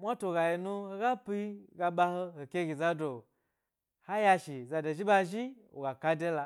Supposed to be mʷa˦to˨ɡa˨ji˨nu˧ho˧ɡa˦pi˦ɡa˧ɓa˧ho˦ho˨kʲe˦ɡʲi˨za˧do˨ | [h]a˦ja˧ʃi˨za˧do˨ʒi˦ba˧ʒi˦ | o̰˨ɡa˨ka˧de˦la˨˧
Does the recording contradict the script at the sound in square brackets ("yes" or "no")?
no